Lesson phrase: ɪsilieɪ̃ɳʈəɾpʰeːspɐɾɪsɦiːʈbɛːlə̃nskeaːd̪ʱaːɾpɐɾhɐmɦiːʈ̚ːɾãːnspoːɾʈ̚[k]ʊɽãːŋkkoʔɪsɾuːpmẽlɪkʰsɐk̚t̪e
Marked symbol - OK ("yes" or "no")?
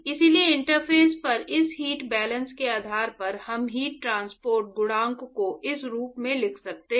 no